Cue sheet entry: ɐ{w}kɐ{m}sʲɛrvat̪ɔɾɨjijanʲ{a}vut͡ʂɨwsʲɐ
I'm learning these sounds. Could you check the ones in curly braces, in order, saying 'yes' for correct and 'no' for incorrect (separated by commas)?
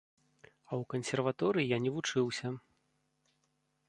yes, no, no